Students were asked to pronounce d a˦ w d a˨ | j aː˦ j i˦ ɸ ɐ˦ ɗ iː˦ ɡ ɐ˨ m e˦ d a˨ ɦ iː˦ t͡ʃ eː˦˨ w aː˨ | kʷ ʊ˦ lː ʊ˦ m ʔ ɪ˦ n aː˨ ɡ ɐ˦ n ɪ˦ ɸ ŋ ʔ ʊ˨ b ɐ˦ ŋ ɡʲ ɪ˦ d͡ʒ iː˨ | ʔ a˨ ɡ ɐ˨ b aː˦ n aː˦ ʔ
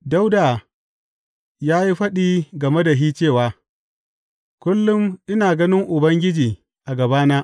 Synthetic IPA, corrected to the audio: d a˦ w d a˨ | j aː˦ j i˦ ɸ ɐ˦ ɗ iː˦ ɡ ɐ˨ m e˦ d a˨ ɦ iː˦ t͡ʃ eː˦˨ w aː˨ | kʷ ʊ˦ lː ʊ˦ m ʔ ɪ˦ n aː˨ ɡ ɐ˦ n ɪ˦ ŋ ʔ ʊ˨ b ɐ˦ ŋ ɡʲ ɪ˦ d͡ʒ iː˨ | ʔ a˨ ɡ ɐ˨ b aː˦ n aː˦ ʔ

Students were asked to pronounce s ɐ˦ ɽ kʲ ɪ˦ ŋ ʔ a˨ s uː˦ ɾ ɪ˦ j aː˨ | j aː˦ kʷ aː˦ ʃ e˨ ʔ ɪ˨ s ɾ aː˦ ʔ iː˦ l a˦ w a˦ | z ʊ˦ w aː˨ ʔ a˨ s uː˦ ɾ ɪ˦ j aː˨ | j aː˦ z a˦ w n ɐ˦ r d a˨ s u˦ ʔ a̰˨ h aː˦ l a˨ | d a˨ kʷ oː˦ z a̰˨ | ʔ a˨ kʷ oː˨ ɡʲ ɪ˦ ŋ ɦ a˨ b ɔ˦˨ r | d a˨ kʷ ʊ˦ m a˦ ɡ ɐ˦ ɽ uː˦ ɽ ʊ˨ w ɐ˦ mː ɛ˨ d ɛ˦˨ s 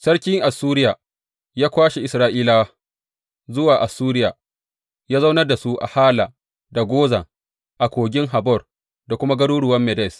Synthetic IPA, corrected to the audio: s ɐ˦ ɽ kʲ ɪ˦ ŋ ʔ a˨ s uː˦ ɾ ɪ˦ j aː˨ | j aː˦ kʷ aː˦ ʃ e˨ ʔ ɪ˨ s ɾ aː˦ ʔ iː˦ l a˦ w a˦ | z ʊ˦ w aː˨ ʔ a˨ s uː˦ ɾ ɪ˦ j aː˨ | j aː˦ z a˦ w n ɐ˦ r d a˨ s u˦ ʔ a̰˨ h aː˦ l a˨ | d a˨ ɡʷ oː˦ z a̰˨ | ʔ a˨ kʷ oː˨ ɡʲ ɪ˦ ŋ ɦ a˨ b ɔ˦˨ r | d a˨ kʷ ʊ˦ m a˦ ɡ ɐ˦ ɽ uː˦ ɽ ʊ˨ w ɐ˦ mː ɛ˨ d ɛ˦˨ s

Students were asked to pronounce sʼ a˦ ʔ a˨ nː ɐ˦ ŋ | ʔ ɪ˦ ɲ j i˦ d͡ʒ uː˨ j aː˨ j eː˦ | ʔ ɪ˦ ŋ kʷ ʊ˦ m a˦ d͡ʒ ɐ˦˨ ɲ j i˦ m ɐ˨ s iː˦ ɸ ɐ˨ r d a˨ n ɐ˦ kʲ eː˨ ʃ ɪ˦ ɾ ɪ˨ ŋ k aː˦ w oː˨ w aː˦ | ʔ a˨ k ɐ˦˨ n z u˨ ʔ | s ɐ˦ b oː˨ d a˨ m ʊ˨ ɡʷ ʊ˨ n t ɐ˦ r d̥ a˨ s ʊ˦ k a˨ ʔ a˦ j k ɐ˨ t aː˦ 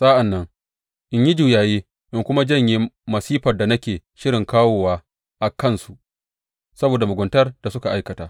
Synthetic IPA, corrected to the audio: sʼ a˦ ʔ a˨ nː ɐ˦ ŋ | ʔ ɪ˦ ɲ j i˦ d͡ʒ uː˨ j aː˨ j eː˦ | ʔ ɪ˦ ŋ kʷ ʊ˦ m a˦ d͡ʒ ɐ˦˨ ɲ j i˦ m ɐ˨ s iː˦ ɸ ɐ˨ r d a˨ n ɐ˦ kʲ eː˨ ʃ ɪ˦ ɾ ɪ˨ ŋ k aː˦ w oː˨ w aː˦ | ʔ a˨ k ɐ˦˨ n s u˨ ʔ | s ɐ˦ b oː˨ d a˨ m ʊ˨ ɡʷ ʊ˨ n t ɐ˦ r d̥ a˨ s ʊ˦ k a˨ ʔ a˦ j k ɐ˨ t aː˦

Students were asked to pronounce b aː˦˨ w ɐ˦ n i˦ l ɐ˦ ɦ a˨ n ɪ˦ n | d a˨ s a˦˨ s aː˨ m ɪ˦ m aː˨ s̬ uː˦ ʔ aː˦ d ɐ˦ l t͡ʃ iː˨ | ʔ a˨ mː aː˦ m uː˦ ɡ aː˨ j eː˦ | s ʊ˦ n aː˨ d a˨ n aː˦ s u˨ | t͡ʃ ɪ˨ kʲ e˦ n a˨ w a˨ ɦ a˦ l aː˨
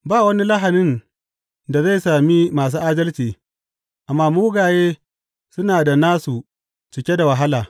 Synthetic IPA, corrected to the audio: b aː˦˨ w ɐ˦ n i˦ l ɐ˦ ɦ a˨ n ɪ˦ n | d a˨ z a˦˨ s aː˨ m i˦ m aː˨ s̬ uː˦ ʔ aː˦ d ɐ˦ l t͡ʃ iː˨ | ʔ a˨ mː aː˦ m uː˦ ɡ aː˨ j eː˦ | s ʊ˦ n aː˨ d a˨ n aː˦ s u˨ | t͡ʃ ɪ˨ kʲ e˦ d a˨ w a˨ ɦ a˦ l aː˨

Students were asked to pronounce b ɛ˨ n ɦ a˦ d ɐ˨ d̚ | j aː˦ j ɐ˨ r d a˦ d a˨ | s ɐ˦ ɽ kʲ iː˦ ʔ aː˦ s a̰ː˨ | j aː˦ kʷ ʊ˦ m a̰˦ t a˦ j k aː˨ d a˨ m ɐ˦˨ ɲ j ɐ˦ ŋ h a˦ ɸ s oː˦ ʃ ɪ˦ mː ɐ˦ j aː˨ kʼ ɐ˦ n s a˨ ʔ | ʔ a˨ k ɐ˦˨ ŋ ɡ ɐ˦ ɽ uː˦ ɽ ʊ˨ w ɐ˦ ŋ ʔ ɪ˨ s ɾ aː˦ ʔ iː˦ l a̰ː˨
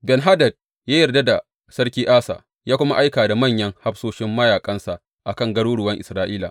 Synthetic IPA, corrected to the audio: b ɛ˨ n ɦ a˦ d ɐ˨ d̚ | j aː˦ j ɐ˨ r d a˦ d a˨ | s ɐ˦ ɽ kʲ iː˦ ʔ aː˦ s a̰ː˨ | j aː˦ kʷ ʊ˦ m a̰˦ ʔ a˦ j k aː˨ d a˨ m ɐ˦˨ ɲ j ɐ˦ ŋ h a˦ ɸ s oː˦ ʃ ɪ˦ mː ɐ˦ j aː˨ kʼ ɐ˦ n s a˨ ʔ | ʔ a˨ k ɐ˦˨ ŋ ɡ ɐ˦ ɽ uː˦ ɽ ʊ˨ w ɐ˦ ŋ ʔ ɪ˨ s ɾ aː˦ ʔ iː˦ l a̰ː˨

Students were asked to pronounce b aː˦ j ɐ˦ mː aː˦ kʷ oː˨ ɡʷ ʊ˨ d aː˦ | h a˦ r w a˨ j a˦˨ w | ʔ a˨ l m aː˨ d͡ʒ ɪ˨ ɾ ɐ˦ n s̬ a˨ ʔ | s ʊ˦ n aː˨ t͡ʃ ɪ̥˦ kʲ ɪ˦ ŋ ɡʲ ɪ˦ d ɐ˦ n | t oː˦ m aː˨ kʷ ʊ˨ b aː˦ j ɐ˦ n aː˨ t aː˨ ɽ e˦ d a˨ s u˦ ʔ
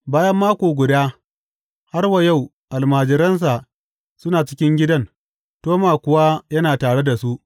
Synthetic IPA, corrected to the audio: b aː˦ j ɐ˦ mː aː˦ kʷ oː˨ ɡʷ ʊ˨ d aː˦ | h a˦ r w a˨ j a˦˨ w | ʔ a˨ l m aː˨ d͡ʒ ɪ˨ ɾ ɐ˦ n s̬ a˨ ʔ | s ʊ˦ n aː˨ t͡ʃ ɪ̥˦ kʲ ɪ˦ ŋ ɡʲ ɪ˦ d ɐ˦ n | t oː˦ m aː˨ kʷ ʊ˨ w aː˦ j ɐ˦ n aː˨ t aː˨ ɽ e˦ d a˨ s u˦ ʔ

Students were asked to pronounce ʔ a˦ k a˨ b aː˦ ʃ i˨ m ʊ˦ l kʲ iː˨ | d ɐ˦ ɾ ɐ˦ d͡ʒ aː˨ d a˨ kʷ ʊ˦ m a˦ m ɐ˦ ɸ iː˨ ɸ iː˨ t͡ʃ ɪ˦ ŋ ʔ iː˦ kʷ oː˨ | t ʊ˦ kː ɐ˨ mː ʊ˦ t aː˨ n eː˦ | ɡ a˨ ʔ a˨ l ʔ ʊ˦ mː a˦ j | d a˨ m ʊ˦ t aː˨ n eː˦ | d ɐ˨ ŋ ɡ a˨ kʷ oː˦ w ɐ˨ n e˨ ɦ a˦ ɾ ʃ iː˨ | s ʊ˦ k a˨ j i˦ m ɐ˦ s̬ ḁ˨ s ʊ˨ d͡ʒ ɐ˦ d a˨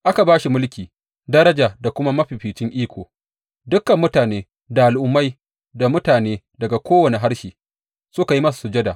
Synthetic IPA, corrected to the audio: ʔ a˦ k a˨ b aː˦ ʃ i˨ m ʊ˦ l kʲ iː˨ | d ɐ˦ ɾ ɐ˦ d͡ʒ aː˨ d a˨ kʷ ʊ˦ m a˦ m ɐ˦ ɸ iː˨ ɸ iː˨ t͡ʃ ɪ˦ ŋ ʔ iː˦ kʷ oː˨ | d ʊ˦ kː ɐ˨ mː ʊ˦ t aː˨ n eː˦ | d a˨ ʔ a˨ l ʔ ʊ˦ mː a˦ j | d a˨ m ʊ˦ t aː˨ n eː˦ | d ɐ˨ ɡ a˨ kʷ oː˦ w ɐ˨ n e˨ ɦ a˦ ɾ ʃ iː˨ | s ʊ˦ k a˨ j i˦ m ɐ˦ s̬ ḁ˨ s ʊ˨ d͡ʒ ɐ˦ d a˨

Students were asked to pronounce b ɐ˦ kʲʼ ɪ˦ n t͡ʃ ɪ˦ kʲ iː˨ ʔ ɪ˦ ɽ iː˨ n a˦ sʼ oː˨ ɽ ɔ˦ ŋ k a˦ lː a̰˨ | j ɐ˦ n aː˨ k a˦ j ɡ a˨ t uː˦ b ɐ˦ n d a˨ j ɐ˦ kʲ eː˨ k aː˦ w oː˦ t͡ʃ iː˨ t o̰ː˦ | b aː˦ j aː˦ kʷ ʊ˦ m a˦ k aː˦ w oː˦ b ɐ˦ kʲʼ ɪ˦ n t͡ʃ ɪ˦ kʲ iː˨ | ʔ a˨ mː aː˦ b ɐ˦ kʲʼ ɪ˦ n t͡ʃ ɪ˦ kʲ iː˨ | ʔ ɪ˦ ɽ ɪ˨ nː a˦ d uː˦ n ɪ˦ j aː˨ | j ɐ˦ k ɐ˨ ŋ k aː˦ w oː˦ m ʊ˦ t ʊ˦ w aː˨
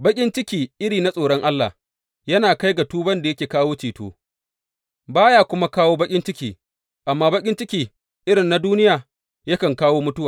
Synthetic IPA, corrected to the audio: b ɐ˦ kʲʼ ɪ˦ n t͡ʃ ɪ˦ kʲ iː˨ ʔ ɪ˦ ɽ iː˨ n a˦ sʼ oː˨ ɽ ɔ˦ ŋ ʔ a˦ lː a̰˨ | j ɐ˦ n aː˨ k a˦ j ɡ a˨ t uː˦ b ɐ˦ n d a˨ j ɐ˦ kʲ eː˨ k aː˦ w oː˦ t͡ʃ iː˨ t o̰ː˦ | b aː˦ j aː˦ kʷ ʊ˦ m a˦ k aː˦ w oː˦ b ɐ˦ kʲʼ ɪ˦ n t͡ʃ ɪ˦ kʲ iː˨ | ʔ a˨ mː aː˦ b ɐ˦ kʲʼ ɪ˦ n t͡ʃ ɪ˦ kʲ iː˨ | ʔ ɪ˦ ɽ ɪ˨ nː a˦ d uː˦ n ɪ˦ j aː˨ | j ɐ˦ k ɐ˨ ŋ k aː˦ w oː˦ m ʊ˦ t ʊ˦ w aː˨

